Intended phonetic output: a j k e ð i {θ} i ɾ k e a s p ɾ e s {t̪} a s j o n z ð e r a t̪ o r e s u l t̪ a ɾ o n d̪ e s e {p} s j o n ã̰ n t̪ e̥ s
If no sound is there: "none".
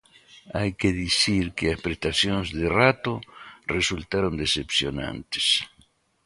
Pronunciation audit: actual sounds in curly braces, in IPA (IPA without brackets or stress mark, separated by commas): s, t̪, p